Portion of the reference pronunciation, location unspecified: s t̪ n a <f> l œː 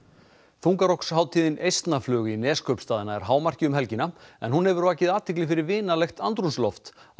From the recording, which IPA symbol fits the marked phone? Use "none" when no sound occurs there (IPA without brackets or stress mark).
f